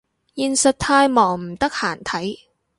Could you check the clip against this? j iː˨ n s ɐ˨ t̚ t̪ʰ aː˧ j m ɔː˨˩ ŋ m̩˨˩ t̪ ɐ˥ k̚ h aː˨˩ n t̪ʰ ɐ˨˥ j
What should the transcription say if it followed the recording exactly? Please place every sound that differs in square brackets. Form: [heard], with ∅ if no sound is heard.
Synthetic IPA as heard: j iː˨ n s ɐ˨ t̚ t̪ʰ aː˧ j m ɔː˨˩ ŋ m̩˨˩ t̪ ɐ˥ k̚ h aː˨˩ n t̪ʰ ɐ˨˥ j

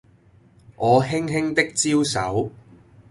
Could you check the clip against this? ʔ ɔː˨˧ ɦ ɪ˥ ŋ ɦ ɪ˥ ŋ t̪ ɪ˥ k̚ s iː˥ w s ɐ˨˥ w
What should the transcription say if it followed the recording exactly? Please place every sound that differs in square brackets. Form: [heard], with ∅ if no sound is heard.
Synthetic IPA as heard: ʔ ɔː˨˧ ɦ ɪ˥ ŋ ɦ ɪ˥ ŋ t̪ ɪ˥ k̚ [t͡s] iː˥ w s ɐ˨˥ w

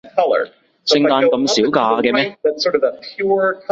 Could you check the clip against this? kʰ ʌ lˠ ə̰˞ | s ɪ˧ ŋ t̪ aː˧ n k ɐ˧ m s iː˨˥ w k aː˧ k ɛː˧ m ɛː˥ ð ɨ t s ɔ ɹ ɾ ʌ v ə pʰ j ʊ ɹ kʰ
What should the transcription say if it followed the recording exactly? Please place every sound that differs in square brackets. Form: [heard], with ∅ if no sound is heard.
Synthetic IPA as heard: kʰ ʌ lˠ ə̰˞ | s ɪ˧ ŋ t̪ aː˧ n k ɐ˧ m s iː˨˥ w k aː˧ k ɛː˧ m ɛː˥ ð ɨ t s ɔ ɹ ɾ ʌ v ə pʰ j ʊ ɹ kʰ

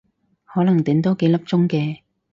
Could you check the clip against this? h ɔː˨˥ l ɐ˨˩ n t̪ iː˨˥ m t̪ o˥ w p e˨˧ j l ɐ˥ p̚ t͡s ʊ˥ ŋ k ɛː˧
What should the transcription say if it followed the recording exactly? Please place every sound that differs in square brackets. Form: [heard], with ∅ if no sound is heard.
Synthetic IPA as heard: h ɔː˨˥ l ɐ˨˩ [ŋ] t̪ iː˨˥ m t̪ o˥ w [k] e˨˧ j l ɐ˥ p̚ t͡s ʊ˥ ŋ k ɛː˧

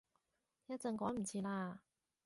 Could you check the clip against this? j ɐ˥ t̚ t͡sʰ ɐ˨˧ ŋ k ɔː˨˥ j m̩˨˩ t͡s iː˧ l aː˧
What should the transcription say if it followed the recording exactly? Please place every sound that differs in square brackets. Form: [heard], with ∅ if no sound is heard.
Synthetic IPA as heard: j ɐ˥ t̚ [t͡s] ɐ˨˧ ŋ k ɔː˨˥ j m̩˨˩ [t͡sʰ] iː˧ l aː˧

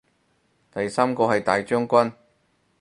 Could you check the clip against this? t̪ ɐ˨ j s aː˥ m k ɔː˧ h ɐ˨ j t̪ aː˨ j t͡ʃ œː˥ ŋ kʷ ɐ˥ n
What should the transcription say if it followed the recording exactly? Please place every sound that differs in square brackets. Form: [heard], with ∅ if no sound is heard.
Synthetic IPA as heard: t̪ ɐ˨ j s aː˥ m k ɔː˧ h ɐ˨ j t̪ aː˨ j t͡ʃ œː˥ ŋ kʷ ɐ˥ n

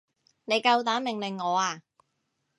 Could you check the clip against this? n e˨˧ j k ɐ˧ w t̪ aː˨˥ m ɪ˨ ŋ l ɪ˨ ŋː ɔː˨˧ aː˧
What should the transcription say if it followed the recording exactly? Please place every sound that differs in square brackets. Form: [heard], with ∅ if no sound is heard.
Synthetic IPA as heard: n e˨˧ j k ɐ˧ w t̪ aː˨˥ m ɪ˨ ŋ l ɪ˨ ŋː ɔː˨˧ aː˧

